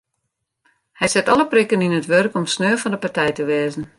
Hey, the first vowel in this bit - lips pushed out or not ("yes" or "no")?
no